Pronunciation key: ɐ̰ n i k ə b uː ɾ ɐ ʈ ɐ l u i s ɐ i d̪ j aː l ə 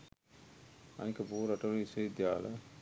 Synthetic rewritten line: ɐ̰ n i k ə b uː ɾ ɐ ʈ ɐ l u i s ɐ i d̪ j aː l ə